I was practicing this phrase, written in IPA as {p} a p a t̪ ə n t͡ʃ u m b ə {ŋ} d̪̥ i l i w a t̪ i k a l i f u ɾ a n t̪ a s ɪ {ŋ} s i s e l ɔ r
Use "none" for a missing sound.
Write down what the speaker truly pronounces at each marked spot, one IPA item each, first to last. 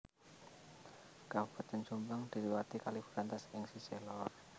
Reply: k, ŋ, ŋ

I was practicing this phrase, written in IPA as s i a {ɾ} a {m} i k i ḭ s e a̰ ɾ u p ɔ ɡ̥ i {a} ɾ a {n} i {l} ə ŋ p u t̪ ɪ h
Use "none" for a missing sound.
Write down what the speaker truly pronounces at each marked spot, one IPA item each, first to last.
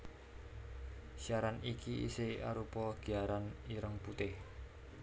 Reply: ɾ, n, a, n, ɾ

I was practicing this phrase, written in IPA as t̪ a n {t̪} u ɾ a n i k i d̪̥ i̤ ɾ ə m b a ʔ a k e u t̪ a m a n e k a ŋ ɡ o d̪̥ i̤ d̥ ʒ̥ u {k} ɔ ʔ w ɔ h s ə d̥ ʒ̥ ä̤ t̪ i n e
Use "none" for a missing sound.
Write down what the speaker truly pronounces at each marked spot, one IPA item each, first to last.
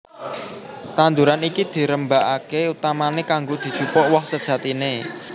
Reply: d̪, p

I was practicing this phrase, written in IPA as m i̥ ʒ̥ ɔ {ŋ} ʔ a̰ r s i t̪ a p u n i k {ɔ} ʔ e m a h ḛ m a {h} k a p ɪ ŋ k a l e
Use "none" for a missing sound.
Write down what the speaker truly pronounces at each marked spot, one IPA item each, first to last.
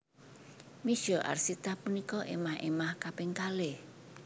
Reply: none, ɔ, h

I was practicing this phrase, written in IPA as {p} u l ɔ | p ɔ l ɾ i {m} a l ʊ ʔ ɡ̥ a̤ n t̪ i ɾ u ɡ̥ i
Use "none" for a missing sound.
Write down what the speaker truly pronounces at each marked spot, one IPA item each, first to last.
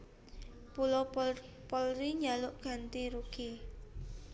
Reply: p, ɲ

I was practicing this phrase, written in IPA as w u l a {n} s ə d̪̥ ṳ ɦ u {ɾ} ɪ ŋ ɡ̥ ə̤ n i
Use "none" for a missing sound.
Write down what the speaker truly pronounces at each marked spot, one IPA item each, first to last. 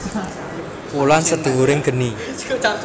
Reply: n, ɾ

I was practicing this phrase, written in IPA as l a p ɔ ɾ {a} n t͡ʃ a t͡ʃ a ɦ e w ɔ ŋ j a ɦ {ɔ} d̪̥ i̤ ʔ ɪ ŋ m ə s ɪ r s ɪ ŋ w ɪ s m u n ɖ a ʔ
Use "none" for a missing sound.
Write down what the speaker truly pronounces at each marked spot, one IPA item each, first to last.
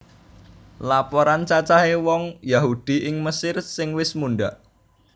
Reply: a, u

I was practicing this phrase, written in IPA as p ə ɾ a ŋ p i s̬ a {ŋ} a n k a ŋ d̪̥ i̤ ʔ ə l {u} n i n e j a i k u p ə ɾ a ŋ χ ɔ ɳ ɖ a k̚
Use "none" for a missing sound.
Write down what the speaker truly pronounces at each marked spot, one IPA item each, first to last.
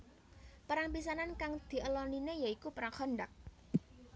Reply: n, ɔ

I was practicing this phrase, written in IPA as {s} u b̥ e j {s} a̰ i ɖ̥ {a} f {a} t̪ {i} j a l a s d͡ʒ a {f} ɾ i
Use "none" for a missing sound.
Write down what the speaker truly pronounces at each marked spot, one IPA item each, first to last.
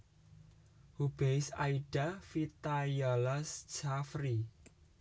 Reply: h, s, a, i, a, f

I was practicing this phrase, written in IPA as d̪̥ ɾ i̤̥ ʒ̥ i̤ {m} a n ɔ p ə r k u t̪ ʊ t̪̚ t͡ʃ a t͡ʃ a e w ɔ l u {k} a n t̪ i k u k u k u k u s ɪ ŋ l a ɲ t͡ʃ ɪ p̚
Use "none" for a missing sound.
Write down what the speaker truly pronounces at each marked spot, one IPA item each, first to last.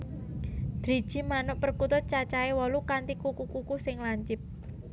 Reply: m, k

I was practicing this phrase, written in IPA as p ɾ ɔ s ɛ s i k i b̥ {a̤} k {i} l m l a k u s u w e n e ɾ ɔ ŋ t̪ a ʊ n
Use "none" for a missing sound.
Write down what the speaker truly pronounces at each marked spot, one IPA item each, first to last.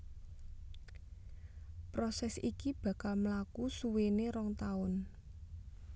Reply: a̤, a

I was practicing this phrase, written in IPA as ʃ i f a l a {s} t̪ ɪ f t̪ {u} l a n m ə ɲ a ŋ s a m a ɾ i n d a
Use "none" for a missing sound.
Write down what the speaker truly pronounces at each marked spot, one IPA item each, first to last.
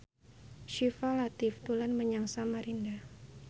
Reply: none, u

